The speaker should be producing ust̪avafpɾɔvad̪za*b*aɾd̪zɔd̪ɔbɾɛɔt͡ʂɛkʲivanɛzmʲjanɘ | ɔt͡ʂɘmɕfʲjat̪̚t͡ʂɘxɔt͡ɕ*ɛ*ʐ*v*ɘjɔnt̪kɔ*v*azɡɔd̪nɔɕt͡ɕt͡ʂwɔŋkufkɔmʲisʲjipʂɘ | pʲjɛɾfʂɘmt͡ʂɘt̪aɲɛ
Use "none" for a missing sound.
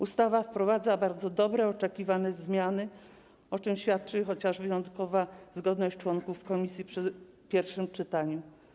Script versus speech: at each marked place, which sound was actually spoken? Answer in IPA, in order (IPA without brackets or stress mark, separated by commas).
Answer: b, a, v, v